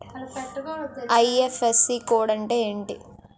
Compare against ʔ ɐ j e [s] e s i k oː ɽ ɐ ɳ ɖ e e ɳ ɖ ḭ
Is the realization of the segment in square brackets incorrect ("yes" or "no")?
yes